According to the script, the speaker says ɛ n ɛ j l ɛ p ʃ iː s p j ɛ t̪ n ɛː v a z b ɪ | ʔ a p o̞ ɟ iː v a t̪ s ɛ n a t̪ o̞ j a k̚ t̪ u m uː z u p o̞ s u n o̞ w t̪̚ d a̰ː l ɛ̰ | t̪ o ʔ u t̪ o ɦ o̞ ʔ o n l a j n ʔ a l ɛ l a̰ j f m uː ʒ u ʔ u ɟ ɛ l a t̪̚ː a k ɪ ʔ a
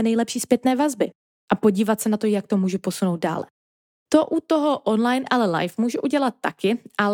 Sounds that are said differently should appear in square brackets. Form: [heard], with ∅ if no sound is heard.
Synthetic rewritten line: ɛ n ɛ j l ɛ p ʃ iː s p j ɛ t̪ n ɛː v a z b ɪ | ʔ a p o̞ ɟ iː v a t̪ s ɛ n a t̪ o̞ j a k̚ t̪ [o] m uː [ʒ] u p o̞ s u n o̞ w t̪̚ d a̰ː l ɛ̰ | t̪ o ʔ u t̪ o ɦ o̞ ʔ o n l a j n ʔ a l ɛ l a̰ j f m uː ʒ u ʔ u ɟ ɛ l a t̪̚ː a k ɪ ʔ a